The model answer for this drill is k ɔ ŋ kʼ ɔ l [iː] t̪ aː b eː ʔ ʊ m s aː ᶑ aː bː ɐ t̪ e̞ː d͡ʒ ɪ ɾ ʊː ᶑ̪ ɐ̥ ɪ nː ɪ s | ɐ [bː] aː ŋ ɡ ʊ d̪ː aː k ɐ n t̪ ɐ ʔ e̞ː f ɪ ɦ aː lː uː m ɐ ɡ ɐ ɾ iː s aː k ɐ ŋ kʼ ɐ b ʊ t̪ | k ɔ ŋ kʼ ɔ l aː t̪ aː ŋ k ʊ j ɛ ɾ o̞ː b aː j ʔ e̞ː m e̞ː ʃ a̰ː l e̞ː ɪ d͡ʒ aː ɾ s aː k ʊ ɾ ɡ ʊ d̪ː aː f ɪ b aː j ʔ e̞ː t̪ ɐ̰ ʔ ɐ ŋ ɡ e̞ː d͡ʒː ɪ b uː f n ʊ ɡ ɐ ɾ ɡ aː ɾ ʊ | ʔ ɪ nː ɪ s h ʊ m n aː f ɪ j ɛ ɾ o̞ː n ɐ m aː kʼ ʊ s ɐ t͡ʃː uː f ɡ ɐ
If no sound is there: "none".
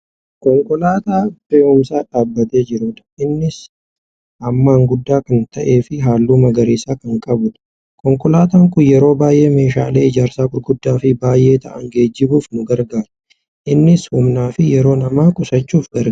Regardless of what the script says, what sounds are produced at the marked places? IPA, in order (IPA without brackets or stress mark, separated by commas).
aː, mː